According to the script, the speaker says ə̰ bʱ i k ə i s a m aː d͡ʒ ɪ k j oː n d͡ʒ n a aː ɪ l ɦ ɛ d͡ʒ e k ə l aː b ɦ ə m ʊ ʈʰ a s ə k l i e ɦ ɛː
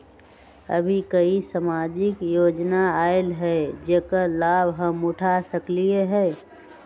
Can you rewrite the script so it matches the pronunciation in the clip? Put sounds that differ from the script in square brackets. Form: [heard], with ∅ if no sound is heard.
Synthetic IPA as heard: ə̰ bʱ i k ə i s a m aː d͡ʒ ɪ k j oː [∅] d͡ʒ n a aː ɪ l ɦ ɛ d͡ʒ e k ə l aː b ɦ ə m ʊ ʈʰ a s ə k l i e ɦ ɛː